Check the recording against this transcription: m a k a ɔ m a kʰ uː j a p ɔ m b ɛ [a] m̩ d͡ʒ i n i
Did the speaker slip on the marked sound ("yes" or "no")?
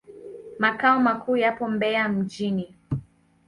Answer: no